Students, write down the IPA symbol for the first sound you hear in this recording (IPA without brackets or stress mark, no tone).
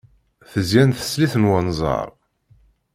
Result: θ